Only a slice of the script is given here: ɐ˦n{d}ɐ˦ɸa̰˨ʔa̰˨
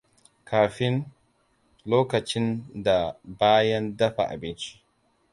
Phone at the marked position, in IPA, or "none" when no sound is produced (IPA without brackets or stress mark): d